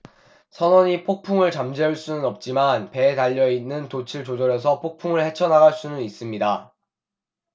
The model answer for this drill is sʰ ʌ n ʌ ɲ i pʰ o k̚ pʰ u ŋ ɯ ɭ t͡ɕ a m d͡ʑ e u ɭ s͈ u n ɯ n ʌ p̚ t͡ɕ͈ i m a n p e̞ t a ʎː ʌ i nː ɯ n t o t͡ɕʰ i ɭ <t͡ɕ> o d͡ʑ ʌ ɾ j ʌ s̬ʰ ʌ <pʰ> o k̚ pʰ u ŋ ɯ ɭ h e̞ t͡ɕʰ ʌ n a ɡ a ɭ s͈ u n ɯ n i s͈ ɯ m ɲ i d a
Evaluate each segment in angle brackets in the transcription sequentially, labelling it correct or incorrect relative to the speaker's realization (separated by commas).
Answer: correct, correct